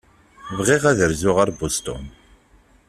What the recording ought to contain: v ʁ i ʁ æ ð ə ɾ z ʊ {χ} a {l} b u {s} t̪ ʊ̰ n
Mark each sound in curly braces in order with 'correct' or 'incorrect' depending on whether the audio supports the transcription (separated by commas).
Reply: incorrect, incorrect, correct